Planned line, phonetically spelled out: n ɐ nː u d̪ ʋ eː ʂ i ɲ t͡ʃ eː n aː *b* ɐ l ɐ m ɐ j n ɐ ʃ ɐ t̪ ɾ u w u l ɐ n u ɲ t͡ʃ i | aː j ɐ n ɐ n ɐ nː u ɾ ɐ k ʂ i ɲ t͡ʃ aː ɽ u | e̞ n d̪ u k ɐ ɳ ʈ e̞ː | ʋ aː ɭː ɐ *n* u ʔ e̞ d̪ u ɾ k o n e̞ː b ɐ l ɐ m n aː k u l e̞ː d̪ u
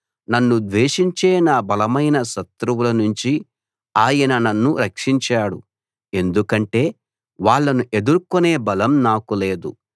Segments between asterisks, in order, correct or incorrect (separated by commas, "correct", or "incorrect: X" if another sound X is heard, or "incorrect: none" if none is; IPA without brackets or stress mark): correct, correct